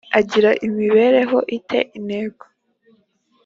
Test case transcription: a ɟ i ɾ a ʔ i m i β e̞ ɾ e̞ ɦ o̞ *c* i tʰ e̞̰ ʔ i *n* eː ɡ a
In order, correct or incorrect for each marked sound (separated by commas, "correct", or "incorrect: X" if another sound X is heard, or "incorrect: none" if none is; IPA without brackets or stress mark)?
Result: incorrect: ʔ, correct